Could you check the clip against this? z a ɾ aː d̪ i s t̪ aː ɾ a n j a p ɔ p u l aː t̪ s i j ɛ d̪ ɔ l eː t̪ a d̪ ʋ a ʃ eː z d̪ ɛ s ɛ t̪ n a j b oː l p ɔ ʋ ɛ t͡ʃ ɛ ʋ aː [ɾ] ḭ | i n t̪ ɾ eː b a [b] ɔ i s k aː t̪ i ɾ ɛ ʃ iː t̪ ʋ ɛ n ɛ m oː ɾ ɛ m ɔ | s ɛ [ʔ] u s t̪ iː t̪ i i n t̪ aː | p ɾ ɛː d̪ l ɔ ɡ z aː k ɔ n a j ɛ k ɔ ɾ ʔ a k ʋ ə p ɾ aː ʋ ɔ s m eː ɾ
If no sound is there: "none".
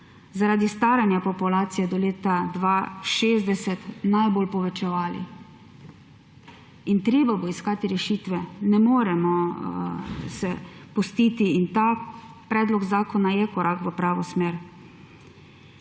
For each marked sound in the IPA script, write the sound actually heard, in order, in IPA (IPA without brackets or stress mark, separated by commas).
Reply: l, b, p